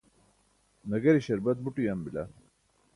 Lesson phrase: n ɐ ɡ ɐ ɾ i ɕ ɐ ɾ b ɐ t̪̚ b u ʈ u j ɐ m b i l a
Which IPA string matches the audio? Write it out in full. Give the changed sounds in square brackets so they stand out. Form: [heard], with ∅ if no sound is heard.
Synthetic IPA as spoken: n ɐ ɡ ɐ ɾ i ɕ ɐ ɾ b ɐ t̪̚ b u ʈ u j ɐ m b i l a